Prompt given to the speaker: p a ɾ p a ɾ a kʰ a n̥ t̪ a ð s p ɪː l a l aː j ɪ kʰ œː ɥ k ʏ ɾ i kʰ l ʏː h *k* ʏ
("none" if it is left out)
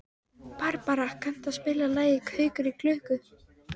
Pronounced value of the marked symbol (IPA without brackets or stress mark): k